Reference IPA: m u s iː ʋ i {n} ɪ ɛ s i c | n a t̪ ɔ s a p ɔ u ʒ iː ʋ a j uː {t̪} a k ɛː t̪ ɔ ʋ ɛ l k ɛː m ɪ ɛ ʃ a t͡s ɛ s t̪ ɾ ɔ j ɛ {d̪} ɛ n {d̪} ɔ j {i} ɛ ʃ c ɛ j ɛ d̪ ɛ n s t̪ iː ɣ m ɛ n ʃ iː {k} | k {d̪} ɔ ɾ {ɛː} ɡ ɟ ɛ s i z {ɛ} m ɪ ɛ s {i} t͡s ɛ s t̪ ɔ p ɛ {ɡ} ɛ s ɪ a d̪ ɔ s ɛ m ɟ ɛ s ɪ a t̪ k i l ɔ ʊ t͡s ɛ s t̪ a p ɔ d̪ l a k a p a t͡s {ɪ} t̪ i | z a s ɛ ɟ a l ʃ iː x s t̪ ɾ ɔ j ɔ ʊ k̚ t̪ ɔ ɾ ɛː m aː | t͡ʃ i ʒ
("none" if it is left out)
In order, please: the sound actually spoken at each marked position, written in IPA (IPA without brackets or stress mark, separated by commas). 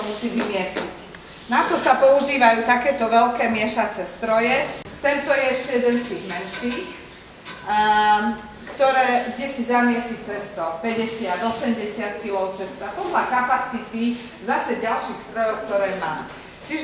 m, t̪, t̪, t̪, ɛ, x, t̪, ɛː, a, i, ɟ, i